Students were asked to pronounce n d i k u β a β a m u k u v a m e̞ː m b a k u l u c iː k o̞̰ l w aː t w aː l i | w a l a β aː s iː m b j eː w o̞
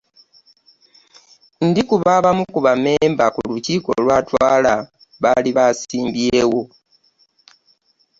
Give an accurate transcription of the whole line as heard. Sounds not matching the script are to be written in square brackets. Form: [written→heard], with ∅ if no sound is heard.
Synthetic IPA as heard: n d i k u β a β a m u k u [v→β] a m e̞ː m b a k u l u c iː k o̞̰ l w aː t w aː l [i→a] | [w→β] a l [a→i] β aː s iː m b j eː w o̞